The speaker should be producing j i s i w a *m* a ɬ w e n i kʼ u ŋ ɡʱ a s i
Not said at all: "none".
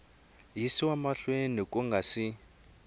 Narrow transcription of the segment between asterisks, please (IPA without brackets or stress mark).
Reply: m